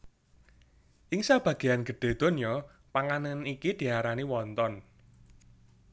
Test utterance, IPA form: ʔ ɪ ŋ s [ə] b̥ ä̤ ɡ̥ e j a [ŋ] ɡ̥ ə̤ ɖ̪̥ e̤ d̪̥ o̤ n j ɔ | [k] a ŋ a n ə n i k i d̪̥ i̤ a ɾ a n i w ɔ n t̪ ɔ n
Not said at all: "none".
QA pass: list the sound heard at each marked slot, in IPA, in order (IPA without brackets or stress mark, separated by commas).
a, n, p